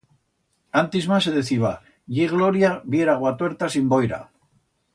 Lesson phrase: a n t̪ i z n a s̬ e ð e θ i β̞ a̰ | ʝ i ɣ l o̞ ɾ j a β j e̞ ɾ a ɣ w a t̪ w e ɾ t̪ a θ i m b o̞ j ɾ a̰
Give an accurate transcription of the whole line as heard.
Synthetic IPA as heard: a n t̪ i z m a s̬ e ð e θ i β̞ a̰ | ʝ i ɣ l o̞ ɾ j a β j e̞ ɾ a ɣ w a t̪ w e ɾ t̪ a s i m b o̞ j ɾ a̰